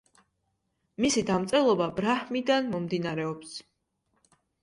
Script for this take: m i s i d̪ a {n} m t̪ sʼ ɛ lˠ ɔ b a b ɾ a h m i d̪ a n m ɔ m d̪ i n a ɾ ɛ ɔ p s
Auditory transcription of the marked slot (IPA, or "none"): none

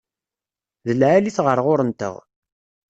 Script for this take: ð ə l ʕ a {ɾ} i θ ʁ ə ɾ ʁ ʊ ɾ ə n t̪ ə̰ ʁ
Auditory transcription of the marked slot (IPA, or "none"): l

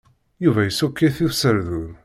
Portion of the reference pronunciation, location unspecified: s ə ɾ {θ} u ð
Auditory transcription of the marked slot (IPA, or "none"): ð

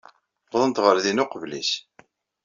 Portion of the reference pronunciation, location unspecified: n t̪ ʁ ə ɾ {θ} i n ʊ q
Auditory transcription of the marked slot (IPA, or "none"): ð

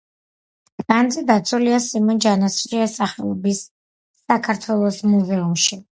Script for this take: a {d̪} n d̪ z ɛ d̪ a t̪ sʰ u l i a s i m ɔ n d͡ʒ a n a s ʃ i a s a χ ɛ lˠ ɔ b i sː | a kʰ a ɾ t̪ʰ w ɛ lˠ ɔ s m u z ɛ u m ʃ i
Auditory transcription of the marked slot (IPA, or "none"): none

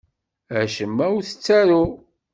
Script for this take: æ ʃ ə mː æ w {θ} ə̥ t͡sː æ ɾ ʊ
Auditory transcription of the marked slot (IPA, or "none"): θ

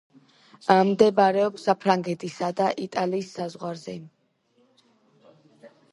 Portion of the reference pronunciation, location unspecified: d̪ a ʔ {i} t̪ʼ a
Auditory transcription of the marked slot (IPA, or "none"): i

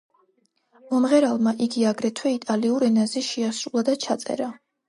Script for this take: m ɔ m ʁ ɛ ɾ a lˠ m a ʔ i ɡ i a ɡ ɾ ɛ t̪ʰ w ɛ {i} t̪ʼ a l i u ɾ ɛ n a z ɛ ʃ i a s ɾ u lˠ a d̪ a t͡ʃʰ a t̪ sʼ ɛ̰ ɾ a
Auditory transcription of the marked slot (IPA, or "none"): i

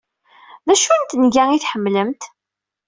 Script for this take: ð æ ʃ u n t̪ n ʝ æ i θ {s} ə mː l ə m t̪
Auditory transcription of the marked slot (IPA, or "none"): ħ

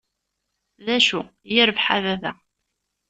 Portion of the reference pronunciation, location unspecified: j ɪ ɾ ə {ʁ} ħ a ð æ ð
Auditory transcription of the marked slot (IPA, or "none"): v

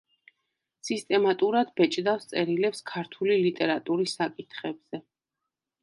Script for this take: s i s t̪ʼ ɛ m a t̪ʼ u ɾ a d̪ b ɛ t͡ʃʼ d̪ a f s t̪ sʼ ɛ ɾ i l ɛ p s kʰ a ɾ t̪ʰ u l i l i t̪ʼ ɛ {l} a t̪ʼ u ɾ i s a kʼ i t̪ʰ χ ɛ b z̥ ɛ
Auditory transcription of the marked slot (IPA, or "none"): ɾ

